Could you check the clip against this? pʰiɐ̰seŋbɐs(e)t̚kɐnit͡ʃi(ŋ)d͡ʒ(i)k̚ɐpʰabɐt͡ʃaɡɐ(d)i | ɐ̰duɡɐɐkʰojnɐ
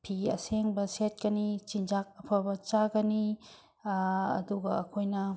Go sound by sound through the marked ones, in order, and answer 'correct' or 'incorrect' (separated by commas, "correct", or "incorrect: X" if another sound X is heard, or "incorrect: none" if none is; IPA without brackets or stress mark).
correct, incorrect: n, incorrect: a, incorrect: n